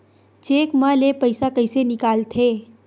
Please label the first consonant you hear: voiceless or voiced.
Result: voiceless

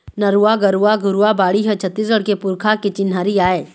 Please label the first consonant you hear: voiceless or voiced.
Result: voiced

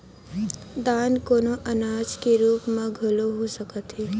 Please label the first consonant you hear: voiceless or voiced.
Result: voiced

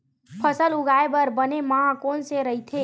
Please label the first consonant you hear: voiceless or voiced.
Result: voiceless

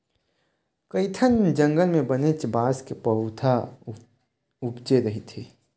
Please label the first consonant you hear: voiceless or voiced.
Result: voiceless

